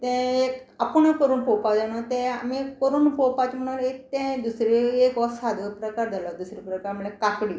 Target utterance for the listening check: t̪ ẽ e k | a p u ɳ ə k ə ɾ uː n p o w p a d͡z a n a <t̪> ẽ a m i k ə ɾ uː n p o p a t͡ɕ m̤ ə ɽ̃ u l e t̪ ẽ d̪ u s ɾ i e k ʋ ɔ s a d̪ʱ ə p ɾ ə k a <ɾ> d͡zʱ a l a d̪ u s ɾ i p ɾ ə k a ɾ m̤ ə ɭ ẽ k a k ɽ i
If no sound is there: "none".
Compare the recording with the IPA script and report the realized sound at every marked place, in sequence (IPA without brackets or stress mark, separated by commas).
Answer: t̪, ɾ